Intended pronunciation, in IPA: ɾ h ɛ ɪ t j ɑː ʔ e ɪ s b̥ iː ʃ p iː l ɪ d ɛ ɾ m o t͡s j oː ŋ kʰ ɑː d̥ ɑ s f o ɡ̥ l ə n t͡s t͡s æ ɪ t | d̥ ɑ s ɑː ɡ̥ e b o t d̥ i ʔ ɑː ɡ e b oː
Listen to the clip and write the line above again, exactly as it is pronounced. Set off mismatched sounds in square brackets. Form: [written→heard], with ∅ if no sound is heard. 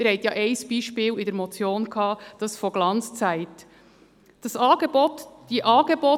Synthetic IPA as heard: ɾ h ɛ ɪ t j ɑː ʔ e ɪ s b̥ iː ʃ p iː l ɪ d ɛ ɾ m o t͡s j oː [ŋ→n] kʰ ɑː d̥ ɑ s f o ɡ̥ l [ə→ɑ] n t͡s t͡s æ ɪ t | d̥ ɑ s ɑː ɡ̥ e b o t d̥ i ʔ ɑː ɡ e b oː